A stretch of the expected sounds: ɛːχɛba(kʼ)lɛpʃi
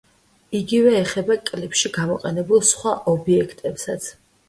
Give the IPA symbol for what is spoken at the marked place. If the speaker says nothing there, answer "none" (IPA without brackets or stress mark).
kʼ